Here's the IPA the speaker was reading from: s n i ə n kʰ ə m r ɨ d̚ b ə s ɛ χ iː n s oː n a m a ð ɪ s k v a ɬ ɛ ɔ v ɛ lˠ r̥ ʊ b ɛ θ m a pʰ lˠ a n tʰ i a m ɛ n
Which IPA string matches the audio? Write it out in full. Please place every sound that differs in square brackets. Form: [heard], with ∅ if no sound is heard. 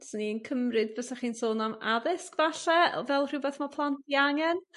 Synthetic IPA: s n i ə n kʰ ə m r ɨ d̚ b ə s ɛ χ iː n s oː n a m a ð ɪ s k v a ɬ ɛ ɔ v ɛ lˠ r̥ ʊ b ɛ θ m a pʰ lˠ a n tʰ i a [ŋ] ɛ n